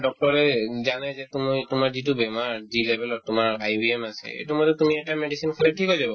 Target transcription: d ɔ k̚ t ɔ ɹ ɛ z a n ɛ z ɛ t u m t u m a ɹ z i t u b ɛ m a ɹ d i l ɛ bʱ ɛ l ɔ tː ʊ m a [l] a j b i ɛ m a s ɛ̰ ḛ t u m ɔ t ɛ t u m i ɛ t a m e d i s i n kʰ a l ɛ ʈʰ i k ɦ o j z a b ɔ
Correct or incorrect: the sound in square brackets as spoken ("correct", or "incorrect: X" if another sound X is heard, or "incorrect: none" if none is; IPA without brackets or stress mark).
incorrect: ɹ